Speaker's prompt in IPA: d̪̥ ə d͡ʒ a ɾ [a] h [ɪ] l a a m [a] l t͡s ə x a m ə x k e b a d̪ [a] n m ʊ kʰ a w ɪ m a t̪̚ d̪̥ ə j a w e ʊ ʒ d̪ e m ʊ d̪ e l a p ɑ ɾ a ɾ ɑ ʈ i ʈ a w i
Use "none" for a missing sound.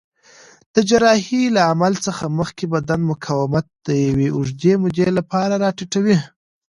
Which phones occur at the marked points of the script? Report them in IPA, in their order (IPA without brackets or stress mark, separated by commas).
ɑ, i, a, a